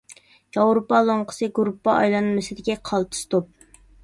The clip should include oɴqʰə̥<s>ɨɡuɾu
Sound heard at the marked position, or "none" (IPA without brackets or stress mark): s